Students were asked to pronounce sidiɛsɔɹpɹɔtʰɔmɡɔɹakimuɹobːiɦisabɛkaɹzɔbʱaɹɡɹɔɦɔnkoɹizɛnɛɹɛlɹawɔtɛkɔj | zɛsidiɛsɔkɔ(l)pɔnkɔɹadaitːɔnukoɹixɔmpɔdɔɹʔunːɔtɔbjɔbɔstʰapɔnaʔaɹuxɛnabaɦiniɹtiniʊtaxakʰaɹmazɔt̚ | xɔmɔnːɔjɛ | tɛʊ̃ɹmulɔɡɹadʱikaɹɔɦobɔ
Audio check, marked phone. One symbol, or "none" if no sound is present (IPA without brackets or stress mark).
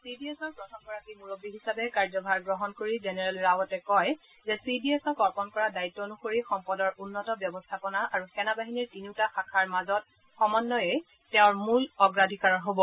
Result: ɹ